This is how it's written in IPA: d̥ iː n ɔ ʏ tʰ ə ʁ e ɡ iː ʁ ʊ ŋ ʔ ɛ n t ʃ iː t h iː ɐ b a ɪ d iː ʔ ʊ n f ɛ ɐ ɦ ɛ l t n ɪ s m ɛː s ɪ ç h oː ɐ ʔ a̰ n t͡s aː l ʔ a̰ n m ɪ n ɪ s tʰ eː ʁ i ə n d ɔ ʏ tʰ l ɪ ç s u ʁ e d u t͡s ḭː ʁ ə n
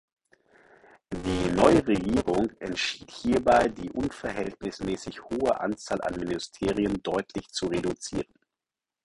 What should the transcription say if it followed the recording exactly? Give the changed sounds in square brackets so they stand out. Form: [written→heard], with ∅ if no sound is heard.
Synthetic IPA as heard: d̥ iː n ɔ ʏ [tʰ→∅] ə ʁ e ɡ iː ʁ ʊ ŋ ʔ ɛ n t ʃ iː t h iː ɐ b a ɪ d iː ʔ ʊ n f ɛ ɐ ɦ ɛ l t n ɪ s m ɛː s ɪ ç h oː [ɐ→ə] ʔ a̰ n t͡s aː l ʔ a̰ n m ɪ n ɪ s tʰ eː ʁ i ə n d ɔ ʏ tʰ l ɪ ç [s→t͡s] u ʁ e d u t͡s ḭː ʁ ə n